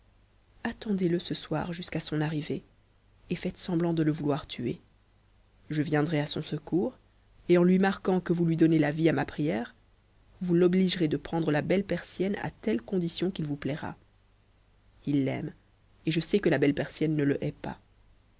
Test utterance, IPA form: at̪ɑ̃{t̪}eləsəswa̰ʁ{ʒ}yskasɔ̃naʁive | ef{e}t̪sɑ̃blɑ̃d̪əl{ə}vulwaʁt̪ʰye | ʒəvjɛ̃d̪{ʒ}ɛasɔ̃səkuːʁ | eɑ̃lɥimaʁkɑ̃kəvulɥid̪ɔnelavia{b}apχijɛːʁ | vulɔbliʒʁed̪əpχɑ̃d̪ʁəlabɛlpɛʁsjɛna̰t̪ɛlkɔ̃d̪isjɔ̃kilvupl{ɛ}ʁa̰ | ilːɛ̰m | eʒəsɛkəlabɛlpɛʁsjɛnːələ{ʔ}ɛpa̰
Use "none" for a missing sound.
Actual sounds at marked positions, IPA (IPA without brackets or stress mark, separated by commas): d̪, ʒ, ɛ, ə, ʁ, m, ɛ, ʔ